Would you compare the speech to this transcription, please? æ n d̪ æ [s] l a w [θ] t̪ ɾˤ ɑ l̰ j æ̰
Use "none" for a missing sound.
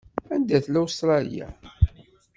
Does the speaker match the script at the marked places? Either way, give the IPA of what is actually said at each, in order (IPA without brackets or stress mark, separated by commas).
θ, s